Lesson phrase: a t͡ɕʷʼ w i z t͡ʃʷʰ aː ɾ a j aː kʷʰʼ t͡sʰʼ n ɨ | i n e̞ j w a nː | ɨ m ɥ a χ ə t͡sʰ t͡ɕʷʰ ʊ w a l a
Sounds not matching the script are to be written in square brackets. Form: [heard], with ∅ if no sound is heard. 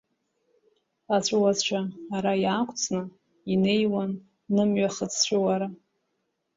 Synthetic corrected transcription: a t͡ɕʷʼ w [a] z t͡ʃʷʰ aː ɾ a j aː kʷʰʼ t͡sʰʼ n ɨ | i n e̞ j w a nː | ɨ m ɥ a χ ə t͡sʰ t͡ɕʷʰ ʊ w a [ɾ] a

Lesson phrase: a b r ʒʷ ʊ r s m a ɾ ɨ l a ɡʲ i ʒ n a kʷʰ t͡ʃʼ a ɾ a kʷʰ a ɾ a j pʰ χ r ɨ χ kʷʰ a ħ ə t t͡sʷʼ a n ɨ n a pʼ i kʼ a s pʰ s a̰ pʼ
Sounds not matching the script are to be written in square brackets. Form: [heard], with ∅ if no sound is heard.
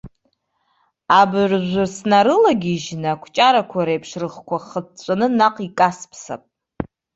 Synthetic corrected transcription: a b r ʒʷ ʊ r s [n] a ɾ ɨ l a ɡʲ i ʒ n a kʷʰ t͡ʃʼ a ɾ a kʷʰ a ɾ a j pʰ [ʂ] r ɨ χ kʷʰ a [χ] ə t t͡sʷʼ a n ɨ n a [qʼ] i kʼ a s pʰ s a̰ pʼ

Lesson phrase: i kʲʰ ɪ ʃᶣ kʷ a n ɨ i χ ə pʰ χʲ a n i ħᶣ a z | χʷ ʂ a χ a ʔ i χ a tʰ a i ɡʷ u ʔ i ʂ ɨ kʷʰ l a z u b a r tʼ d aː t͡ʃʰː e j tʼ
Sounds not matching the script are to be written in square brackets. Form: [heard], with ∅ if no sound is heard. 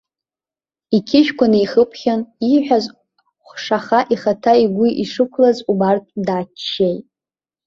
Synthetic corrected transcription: i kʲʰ ɪ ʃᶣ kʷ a n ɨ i χ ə pʰ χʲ a n i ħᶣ a z | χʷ ʂ a χ a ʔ i χ a tʰ a i ɡʷ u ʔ i ʂ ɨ kʷʰ l a z u b a r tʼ d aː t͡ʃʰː e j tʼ

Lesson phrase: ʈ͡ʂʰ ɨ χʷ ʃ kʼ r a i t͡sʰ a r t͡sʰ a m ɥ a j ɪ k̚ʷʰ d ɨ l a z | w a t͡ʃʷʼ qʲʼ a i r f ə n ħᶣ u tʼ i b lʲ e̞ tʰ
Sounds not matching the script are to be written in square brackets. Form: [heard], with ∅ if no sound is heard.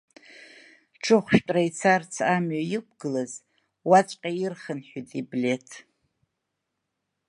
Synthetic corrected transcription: ʈ͡ʂʰ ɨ χʷ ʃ [tʼ] r a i t͡sʰ a r t͡sʰ a m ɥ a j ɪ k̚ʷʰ [ɡ] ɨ l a z | w a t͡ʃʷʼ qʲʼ a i r [χ] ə n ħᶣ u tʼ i b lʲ e̞ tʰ

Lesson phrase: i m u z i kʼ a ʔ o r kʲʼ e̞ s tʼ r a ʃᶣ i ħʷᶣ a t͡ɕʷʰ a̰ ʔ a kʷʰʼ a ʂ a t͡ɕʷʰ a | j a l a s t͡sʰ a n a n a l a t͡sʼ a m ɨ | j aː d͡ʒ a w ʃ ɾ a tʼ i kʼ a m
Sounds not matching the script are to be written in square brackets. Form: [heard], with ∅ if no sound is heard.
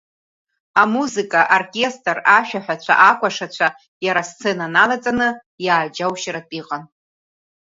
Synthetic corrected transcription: [a] m u z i kʼ a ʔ o r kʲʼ e̞ s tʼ r a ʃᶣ [a] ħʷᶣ a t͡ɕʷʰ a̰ ʔ a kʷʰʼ a ʂ a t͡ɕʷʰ a | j a [ɾ] a s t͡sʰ [e] n a n a l a t͡sʼ a [n] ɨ | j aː d͡ʒ a w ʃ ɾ a tʼ i [qʼ] a [n]

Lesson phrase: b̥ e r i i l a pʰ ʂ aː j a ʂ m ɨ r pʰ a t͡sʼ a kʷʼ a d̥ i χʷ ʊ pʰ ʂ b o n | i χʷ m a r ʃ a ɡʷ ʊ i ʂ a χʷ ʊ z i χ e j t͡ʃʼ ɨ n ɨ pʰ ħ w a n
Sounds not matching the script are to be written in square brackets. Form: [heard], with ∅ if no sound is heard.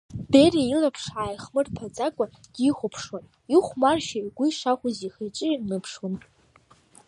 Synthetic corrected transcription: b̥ e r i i l a pʰ ʂ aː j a [χ] m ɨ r pʰ a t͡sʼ a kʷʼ a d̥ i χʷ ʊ pʰ ʂ [w] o n | i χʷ m a r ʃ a ɡʷ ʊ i ʂ a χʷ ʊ z i χ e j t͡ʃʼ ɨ n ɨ pʰ [ʂ] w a n

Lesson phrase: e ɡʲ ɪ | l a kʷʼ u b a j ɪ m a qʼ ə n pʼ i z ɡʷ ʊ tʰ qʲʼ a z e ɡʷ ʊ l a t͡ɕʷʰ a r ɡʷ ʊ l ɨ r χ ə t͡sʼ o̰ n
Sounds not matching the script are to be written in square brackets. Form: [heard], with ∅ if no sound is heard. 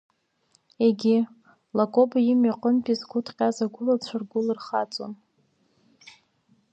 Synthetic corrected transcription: e ɡʲ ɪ | l a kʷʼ [o] b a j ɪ m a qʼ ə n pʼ i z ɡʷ ʊ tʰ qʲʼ a z [a] ɡʷ ʊ l a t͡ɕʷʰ a r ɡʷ ʊ l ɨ r χ [a] t͡sʼ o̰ n

